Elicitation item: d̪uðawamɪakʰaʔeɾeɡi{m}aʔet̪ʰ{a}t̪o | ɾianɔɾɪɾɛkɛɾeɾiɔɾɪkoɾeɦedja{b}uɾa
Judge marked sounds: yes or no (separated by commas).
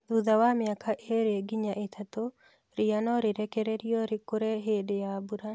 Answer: no, yes, yes